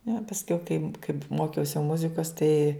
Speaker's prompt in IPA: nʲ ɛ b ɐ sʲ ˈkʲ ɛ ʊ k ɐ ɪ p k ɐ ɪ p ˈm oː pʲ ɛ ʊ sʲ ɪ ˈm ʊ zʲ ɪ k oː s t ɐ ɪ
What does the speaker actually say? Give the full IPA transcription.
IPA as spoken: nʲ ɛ p ɐ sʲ ˈkʲ ɛ ʊ k ɐ ɪ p k ɐ ɪ p ˈm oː kʲ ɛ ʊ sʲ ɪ ˈm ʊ zʲ ɪ k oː s t ɐ ɪ